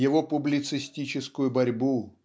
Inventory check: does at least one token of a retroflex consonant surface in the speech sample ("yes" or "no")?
no